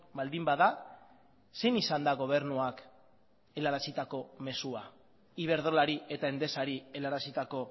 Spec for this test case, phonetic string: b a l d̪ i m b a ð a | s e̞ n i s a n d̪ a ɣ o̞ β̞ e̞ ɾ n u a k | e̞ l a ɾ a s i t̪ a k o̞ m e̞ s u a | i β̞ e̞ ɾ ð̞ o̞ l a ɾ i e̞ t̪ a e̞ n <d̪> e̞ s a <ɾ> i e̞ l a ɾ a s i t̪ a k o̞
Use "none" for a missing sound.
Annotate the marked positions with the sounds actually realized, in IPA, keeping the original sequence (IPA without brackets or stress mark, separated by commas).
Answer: d̪, ɾ